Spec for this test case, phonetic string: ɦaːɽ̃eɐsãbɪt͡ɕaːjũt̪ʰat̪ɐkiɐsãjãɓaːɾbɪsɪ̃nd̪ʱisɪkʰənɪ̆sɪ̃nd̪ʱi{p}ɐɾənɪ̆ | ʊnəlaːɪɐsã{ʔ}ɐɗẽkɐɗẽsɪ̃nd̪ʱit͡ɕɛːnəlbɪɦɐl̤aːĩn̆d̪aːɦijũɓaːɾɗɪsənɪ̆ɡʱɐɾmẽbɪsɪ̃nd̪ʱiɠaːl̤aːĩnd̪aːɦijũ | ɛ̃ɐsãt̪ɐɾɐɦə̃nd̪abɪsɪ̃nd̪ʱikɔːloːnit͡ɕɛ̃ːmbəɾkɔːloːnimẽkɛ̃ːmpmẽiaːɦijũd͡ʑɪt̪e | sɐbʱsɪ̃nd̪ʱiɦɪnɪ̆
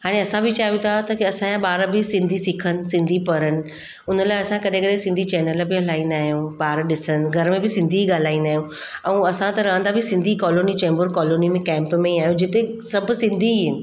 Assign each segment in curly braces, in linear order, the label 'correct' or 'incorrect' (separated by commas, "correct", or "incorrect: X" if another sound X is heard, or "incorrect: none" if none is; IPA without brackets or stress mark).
correct, incorrect: k